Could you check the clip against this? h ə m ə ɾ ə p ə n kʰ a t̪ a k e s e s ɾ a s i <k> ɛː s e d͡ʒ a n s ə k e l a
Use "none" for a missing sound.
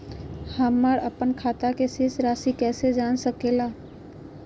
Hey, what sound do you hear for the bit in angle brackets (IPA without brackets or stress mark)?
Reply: k